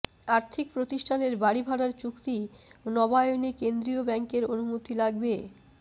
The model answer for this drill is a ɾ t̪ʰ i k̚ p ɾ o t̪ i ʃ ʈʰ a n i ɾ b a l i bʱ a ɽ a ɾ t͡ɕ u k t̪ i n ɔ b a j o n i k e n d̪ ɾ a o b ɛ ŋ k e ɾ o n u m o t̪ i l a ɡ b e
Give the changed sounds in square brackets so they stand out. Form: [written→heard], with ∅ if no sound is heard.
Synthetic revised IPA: a ɾ t̪ʰ i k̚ p ɾ o t̪ i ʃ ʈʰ a n [i→e] ɾ b a [l→ɽ] i bʱ a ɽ a ɾ t͡ɕ u k t̪ i n ɔ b a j o n i k e n d̪ ɾ [a→i] o b ɛ ŋ k e ɾ o n u m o t̪ i l a ɡ b e